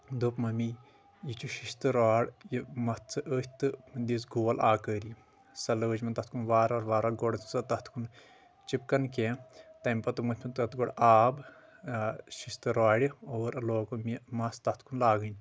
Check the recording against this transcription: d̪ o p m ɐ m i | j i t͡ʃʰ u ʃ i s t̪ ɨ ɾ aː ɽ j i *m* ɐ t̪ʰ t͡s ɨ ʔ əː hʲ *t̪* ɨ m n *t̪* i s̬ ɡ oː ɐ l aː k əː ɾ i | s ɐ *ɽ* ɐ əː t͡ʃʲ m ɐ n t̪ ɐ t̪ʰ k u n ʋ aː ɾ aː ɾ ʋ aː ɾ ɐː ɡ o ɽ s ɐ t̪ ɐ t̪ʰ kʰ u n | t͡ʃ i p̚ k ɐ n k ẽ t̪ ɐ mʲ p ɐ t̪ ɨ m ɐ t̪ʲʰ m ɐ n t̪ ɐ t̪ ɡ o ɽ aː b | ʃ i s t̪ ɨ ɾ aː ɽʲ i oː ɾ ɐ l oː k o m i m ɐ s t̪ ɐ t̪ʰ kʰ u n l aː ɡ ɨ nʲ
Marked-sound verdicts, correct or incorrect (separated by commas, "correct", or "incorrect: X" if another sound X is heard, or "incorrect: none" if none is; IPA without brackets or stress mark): correct, correct, incorrect: d̪, incorrect: l